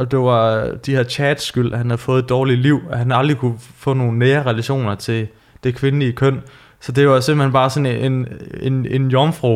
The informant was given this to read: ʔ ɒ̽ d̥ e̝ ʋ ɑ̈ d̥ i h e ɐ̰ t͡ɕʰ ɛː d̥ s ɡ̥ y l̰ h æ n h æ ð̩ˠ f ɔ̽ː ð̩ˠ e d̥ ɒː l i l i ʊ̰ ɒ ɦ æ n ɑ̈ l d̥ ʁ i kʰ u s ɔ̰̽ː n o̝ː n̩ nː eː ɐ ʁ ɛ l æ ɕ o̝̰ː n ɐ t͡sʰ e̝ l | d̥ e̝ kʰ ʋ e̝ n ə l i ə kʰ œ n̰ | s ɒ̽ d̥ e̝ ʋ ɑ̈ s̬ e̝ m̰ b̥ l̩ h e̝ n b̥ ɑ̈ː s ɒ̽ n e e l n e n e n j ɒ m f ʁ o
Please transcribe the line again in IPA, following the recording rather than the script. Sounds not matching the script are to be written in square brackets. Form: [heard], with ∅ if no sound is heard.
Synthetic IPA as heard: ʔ ɒ̽ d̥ e̝ ʋ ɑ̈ d̥ i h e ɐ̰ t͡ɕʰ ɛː d̥ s ɡ̥ y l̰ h æ n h æ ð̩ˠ f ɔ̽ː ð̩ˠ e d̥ ɒː l i l i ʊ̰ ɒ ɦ æ n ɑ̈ l d̥ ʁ i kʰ u [f] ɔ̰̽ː n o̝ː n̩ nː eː ɐ ʁ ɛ l æ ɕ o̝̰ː n ɐ t͡sʰ e̝ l | d̥ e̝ kʰ ʋ e̝ n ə l i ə kʰ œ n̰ | s ɒ̽ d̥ e̝ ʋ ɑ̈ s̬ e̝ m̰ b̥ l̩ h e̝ n b̥ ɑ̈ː s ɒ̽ n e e [∅] n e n e n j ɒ m f ʁ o